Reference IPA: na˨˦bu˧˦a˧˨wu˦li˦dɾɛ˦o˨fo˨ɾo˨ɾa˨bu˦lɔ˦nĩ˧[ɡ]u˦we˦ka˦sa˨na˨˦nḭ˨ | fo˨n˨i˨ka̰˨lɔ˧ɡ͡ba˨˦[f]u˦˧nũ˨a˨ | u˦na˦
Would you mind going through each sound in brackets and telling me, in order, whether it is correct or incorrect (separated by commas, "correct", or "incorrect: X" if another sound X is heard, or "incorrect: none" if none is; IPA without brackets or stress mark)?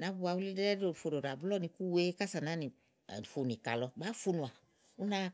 incorrect: k, correct